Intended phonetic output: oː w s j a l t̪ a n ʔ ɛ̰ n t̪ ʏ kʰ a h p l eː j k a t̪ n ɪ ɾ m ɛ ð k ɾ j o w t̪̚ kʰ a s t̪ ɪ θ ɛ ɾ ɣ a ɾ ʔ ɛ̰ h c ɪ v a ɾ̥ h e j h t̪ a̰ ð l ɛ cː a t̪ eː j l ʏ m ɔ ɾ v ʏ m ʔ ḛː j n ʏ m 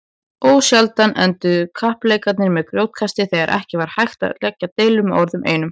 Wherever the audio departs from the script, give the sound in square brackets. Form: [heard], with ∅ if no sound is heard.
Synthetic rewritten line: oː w s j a l t̪ a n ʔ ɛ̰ n t̪ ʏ kʰ a h p l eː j k a t̪ n ɪ ɾ m ɛ ð k ɾ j o w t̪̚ kʰ a s t̪ ɪ θ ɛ [∅] ɣ a ɾ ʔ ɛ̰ h c ɪ v a ɾ̥ h [a] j [x] t̪ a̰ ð l ɛ cː a t̪ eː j l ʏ m ɔ ɾ [ð] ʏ m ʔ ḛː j n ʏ m